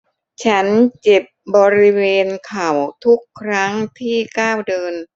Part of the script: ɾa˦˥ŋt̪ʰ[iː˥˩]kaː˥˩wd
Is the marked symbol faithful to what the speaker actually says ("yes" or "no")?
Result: yes